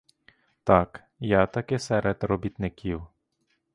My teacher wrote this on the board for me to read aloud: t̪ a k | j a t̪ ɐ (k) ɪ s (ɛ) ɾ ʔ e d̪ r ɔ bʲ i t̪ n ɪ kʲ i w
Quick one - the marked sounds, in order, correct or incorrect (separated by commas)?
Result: correct, correct